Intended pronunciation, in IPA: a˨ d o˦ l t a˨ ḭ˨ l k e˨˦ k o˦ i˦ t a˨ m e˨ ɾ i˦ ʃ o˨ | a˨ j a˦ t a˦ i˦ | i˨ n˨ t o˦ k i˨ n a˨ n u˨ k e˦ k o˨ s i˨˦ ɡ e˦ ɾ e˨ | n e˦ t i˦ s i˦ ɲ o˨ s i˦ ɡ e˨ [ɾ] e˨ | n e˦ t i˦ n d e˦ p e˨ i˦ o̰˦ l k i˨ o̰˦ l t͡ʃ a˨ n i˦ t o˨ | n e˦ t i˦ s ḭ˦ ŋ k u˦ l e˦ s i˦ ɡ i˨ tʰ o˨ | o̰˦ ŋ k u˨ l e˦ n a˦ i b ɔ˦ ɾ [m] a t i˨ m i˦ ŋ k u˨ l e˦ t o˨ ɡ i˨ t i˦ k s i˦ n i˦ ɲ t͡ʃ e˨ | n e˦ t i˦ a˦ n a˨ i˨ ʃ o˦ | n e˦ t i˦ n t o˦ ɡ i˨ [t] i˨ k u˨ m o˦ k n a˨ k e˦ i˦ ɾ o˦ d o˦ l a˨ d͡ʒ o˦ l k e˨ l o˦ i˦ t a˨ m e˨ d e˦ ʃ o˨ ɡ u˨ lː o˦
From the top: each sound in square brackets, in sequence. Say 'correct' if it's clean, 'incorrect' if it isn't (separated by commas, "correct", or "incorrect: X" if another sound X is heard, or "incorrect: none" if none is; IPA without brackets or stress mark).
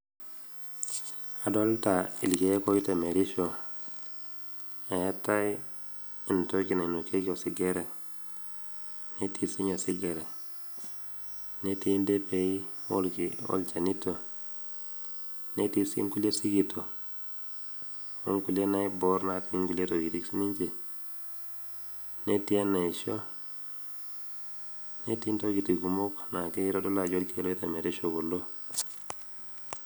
correct, incorrect: n, correct